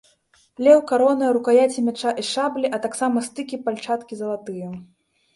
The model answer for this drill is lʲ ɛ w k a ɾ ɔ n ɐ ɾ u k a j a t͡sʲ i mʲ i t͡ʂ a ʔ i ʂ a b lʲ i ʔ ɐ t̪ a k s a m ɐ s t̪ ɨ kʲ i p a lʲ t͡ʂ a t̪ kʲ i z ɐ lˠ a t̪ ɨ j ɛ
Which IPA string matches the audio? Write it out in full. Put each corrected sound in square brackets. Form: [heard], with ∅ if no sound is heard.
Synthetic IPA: lʲ ɛ w k a ɾ ɔ n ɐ ɾ u k a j a t͡sʲ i mʲ [a] t͡ʂ a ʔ i ʂ a b lʲ i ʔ ɐ t̪ a k s a m ɐ s t̪ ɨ kʲ i p a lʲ t͡ʂ a t̪ kʲ i z ɐ lˠ a t̪ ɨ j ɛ